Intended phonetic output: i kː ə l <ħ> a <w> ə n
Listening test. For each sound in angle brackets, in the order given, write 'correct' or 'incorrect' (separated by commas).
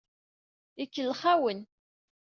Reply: incorrect, correct